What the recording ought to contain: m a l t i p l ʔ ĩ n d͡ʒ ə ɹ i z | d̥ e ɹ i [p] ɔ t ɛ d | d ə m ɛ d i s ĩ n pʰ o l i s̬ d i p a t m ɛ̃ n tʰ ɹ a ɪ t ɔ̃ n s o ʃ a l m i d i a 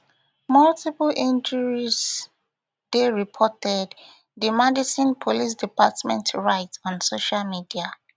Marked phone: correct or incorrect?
incorrect: pʰ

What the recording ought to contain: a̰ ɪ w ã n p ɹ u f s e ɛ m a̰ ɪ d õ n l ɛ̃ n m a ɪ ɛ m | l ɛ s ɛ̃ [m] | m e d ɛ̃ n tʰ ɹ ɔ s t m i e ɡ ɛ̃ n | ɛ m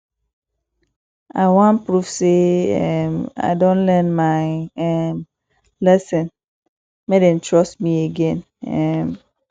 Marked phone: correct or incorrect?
incorrect: n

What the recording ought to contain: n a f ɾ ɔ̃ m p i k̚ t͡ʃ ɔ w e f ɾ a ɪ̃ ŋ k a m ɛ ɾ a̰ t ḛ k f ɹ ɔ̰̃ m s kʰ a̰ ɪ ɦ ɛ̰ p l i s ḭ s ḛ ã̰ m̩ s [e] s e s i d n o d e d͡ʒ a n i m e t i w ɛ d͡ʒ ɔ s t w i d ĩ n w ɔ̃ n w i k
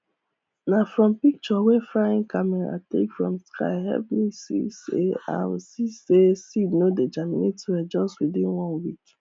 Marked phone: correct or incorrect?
incorrect: i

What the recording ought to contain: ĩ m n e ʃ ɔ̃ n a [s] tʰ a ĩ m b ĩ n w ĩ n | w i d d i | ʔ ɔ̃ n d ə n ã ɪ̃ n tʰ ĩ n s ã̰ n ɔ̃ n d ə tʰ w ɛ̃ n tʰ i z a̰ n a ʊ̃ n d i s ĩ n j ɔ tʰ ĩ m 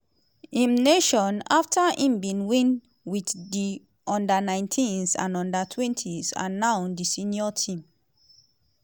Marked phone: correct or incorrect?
incorrect: f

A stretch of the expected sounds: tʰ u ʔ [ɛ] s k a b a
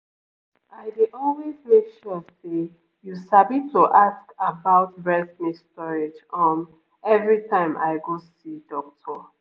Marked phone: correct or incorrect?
incorrect: a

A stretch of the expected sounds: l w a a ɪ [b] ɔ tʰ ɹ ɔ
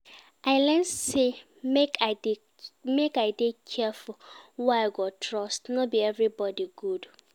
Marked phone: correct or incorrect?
incorrect: ɡ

